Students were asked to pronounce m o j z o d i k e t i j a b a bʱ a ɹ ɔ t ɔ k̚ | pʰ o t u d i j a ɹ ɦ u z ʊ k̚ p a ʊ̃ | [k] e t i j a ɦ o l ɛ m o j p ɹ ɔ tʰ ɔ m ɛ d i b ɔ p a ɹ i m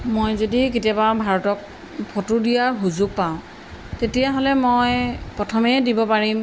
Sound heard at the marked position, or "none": t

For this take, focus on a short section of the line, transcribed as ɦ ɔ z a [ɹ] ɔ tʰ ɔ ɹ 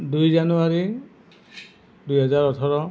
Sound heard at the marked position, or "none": ɹ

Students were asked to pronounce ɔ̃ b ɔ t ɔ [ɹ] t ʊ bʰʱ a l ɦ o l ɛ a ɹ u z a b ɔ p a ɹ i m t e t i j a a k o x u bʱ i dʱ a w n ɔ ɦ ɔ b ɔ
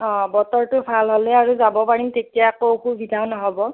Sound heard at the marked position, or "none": ɹ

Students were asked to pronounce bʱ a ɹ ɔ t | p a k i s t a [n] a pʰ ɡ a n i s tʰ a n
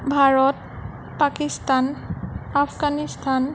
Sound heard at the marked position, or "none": n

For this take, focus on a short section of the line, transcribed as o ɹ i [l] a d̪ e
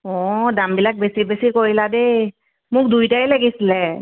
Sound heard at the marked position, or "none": l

